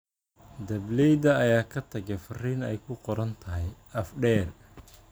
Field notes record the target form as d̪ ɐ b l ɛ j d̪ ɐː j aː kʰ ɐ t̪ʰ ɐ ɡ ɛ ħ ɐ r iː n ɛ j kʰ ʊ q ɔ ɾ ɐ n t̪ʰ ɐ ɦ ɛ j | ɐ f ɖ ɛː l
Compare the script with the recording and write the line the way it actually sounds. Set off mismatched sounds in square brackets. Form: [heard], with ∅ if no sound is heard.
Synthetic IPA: d̪ ɐ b l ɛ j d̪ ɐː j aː kʰ ɐ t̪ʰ ɐ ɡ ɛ [f] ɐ r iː n ɛ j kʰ ʊ q ɔ ɾ ɐ n t̪ʰ ɐ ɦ ɛ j | ɐ f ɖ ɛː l